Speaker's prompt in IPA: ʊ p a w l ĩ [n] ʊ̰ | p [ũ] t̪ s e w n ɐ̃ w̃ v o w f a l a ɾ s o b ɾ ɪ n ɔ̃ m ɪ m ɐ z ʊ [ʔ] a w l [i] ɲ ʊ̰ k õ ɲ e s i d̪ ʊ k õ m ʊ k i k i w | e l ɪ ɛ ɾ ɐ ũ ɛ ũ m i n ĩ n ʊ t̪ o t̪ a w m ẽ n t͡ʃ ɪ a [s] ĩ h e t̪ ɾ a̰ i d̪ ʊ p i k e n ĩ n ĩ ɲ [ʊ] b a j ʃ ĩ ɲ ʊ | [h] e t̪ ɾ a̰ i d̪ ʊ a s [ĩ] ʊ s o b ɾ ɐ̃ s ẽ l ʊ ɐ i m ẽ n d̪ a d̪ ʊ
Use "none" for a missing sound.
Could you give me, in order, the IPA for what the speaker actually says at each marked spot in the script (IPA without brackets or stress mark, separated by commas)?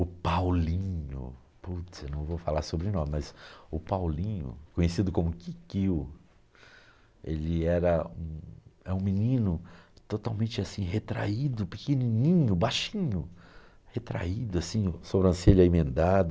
ɲ, u, p, ĩ, s, ʊ, h, ĩ